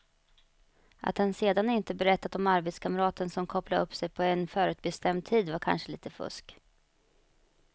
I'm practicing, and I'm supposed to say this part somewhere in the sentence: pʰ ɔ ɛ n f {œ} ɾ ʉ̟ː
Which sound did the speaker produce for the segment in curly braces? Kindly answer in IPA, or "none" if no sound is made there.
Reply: œː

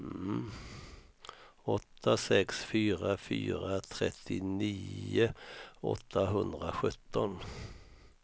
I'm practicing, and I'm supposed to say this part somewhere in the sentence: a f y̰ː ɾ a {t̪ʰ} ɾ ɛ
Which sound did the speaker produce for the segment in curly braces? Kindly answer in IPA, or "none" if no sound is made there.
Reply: t̪ʰ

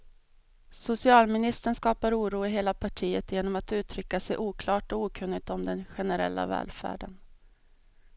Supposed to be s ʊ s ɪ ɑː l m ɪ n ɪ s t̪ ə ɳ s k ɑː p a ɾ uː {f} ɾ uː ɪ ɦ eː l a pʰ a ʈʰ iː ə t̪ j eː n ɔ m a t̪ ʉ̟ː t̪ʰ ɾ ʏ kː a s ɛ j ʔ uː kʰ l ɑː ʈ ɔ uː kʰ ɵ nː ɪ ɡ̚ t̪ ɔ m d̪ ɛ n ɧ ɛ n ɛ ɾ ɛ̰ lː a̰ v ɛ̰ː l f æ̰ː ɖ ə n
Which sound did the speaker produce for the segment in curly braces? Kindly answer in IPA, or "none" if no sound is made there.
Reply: none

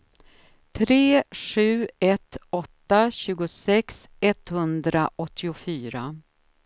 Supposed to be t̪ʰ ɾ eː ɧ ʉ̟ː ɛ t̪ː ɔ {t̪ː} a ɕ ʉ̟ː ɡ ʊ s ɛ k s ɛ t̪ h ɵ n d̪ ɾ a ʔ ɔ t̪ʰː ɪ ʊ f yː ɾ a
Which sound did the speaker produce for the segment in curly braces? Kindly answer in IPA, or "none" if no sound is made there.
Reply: t̪ː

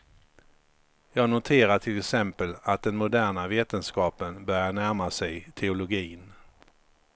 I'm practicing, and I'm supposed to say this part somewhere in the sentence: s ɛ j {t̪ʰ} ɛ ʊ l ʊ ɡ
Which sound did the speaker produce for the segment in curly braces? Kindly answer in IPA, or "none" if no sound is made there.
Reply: t̪ʰ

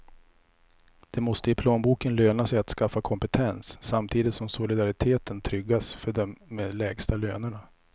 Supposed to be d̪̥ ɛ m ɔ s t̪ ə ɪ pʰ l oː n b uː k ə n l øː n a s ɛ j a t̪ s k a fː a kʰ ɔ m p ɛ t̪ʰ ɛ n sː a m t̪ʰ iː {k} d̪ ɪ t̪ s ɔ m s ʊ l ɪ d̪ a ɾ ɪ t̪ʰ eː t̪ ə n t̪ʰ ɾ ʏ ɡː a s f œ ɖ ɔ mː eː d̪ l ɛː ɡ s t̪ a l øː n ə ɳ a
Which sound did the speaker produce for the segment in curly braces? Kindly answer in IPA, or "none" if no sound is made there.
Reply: none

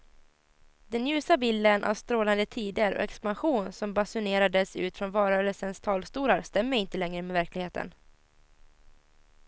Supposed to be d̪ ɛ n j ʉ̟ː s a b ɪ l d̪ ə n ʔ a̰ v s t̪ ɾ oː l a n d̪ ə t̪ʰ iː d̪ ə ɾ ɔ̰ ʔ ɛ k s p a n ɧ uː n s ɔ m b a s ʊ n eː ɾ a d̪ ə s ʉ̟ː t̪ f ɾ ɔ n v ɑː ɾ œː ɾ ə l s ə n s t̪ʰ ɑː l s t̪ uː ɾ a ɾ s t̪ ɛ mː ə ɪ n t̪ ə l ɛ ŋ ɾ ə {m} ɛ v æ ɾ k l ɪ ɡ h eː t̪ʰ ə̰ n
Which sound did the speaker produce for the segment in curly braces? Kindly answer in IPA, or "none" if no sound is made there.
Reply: m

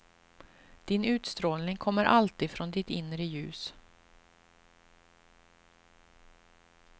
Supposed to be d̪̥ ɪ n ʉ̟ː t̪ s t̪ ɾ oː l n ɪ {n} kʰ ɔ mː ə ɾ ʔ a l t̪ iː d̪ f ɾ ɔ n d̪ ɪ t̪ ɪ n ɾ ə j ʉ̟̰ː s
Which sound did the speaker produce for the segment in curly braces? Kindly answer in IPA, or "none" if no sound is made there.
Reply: ŋ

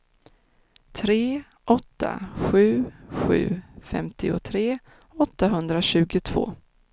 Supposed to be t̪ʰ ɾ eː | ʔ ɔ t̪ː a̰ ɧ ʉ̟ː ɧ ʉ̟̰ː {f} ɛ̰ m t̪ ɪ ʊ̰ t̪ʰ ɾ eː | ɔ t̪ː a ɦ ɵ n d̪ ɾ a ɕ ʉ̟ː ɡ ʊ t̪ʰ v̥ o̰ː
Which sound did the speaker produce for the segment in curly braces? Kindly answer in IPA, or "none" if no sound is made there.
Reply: f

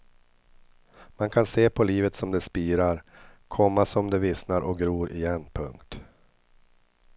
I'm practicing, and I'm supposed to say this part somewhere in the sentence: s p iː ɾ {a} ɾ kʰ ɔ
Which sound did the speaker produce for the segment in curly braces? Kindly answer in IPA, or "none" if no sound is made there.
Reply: a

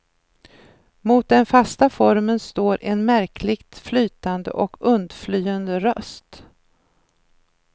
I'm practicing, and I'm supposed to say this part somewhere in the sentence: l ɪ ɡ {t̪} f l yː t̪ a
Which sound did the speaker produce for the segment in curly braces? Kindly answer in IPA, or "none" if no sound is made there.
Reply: t̪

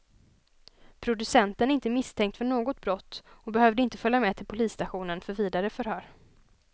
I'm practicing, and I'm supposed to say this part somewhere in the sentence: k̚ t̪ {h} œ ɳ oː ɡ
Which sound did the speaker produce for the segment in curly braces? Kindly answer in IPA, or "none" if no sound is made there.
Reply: f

